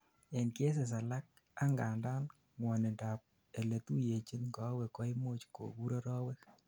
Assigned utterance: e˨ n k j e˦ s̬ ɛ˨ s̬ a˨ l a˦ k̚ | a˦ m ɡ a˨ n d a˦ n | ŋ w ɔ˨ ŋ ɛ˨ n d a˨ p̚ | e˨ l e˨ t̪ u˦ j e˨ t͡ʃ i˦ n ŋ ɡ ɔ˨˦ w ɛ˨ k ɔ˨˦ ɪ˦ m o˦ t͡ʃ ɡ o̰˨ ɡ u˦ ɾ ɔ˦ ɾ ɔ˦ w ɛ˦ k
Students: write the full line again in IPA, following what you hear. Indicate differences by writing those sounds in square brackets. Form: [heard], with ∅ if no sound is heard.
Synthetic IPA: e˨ n k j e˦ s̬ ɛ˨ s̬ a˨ l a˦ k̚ | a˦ [ŋ] ɡ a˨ n d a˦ n | ŋ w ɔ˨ [n] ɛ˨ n d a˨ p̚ | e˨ l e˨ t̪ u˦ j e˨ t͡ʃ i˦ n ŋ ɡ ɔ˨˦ w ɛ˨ k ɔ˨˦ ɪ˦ m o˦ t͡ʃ [k] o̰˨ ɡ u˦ ɾ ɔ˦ ɾ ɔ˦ w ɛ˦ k